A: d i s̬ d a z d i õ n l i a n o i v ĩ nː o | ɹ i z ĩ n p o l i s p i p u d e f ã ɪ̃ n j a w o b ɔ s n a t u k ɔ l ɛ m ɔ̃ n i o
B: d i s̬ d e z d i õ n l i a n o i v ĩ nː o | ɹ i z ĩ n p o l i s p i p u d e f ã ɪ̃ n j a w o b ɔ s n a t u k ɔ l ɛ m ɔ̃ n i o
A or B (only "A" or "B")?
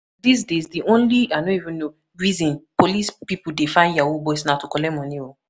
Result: B